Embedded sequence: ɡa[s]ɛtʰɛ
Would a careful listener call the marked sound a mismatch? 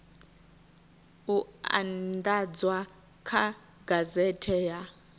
yes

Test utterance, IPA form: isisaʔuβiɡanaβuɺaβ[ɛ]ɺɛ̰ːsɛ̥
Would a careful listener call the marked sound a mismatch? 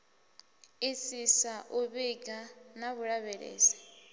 no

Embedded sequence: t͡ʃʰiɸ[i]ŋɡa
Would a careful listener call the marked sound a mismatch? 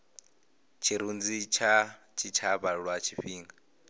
yes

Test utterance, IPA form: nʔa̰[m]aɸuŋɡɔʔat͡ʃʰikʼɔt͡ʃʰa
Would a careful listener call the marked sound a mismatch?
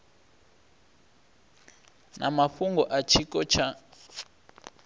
no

